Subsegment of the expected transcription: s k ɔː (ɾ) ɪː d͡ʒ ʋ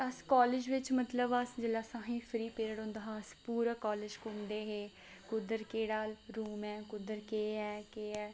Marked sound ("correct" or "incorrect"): incorrect